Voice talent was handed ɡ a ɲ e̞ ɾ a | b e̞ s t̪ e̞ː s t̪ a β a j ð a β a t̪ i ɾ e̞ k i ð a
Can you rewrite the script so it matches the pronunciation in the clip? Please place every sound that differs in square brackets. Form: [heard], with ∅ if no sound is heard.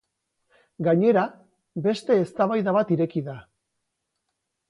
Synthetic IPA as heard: ɡ a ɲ e̞ ɾ a | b e̞ s t̪ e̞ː s t̪ a β a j ð a β a t̪ i ɾ e̞ k i ð a